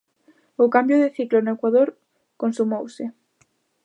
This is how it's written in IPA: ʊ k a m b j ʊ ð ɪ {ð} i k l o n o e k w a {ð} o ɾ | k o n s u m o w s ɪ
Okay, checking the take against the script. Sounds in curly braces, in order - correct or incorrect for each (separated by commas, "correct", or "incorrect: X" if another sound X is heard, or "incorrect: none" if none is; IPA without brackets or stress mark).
incorrect: θ, correct